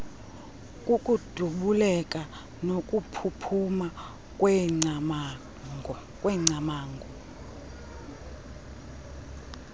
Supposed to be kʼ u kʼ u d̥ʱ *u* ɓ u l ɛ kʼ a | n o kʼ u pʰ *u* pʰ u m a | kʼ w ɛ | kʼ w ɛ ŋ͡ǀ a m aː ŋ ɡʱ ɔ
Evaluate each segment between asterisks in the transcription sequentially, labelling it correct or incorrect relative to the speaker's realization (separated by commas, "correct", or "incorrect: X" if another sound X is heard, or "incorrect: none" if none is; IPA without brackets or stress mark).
correct, correct